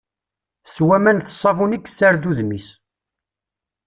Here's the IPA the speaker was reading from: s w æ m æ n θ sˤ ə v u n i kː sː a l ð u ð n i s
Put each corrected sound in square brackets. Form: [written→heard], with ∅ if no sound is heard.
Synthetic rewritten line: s w æ m æ n θ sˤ [ə→ɑ] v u n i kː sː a [l→ɾ] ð u ð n i s